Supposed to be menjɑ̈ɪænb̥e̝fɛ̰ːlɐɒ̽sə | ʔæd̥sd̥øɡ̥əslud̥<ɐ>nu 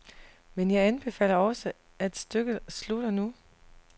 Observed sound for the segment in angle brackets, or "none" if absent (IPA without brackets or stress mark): ɐ